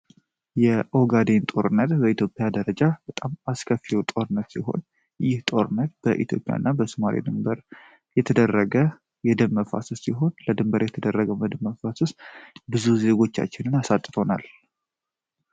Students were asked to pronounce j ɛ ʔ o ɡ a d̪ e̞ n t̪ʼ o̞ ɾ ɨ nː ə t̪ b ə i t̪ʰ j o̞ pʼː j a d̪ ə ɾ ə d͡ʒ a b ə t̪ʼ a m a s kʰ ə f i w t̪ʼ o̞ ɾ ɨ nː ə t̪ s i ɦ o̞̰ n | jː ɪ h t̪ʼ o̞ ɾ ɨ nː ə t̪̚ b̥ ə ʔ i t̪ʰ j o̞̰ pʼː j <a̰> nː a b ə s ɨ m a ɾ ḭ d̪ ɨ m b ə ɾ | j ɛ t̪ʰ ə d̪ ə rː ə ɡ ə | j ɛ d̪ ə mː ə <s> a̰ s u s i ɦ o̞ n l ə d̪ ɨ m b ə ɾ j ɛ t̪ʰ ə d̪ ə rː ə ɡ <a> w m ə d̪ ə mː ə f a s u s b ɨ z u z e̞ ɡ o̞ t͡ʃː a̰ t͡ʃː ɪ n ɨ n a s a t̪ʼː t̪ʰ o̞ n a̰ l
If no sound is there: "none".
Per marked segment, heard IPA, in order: a̰, f, ə

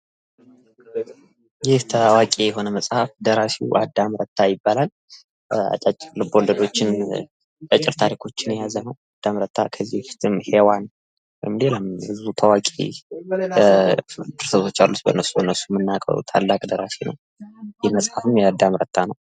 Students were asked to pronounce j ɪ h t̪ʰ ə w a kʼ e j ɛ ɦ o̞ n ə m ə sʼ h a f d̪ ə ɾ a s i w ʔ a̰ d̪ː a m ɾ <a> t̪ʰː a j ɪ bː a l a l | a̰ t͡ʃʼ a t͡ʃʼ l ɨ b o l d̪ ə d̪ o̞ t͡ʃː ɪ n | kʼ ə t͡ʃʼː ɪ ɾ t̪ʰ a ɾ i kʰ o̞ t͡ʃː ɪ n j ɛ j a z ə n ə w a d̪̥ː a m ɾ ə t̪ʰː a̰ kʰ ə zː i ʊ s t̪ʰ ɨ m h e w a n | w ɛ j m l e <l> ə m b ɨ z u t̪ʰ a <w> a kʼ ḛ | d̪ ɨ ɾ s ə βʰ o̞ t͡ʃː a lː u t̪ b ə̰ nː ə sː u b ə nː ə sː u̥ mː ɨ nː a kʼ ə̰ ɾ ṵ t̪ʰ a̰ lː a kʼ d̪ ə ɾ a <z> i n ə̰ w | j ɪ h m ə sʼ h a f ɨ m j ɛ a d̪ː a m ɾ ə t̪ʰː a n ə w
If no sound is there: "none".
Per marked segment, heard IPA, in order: ə, l, w, s

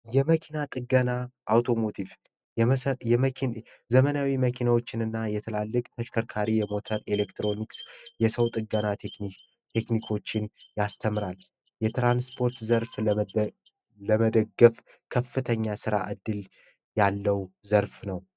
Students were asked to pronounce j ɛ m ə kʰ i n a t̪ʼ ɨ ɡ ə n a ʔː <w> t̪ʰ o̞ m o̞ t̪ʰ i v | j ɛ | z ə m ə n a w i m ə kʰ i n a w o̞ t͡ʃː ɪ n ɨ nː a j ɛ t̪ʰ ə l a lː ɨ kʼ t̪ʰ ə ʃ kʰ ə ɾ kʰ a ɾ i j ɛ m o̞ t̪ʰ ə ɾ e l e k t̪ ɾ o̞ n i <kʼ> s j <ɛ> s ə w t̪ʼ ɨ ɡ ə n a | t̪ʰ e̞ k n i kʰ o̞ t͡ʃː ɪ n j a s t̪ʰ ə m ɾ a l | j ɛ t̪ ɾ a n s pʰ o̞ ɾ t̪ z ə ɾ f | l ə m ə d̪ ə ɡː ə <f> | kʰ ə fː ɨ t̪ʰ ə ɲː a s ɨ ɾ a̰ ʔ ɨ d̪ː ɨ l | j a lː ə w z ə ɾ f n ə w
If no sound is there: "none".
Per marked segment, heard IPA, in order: w, k, ɛ, f

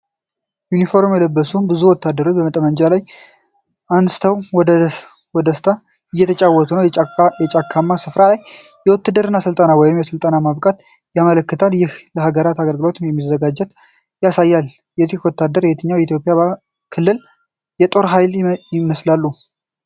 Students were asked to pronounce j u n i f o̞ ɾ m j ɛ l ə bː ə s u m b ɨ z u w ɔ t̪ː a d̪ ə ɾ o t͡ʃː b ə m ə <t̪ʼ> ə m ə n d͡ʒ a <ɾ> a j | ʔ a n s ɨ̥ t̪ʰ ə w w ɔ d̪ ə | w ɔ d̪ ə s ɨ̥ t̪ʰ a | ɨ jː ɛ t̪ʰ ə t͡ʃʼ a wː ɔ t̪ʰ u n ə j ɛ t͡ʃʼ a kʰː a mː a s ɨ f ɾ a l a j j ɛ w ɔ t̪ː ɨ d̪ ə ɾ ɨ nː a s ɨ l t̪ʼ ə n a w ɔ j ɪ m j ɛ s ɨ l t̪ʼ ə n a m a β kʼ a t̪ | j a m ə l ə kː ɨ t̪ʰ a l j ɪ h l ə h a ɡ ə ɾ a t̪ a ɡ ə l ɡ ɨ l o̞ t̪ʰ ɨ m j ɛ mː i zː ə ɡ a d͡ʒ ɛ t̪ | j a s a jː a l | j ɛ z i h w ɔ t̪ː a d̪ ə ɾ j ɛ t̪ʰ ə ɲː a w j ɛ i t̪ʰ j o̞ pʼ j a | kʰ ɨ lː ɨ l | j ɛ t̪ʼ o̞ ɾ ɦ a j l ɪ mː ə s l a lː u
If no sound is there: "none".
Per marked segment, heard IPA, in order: t̪ʼ, l

